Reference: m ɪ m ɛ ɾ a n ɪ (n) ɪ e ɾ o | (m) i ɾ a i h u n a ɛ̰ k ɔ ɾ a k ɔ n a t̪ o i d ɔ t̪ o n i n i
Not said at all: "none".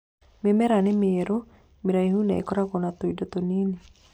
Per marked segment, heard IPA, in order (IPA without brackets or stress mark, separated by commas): m, m